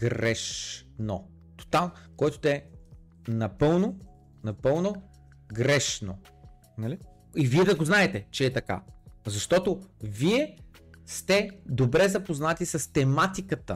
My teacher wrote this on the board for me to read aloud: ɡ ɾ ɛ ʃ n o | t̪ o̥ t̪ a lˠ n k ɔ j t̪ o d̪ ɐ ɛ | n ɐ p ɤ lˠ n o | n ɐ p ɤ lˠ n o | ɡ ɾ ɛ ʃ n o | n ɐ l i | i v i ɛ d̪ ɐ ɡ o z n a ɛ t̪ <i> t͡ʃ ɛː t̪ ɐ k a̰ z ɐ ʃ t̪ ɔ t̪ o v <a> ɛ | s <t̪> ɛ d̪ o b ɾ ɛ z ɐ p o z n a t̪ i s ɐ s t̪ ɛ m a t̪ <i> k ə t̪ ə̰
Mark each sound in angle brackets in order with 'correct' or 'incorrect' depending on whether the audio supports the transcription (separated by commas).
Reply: incorrect, incorrect, correct, correct